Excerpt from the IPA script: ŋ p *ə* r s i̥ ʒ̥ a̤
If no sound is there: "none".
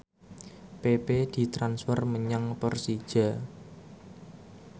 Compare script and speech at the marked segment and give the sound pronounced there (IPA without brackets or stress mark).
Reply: ə